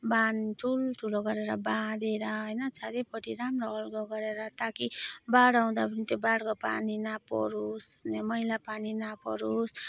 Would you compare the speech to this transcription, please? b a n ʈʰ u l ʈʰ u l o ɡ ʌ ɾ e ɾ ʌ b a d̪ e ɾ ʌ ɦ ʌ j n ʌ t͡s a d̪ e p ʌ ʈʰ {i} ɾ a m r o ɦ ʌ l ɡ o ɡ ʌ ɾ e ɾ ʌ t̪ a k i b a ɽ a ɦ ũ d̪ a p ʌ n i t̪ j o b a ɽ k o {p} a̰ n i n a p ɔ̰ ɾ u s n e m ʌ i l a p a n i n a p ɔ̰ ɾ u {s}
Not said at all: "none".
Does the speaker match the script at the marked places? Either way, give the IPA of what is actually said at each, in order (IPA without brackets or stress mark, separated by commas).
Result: i, p, s